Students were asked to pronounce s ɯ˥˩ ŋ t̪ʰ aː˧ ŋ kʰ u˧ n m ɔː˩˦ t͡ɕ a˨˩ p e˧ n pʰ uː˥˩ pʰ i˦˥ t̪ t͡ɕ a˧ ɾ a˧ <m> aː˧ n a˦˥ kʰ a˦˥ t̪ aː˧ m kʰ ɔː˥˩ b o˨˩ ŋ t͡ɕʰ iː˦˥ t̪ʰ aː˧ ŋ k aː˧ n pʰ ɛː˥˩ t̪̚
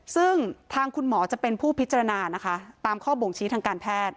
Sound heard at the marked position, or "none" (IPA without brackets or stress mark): n